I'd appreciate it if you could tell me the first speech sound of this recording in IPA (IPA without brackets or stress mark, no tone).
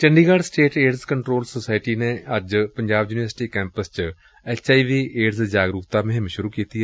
t͡ʃ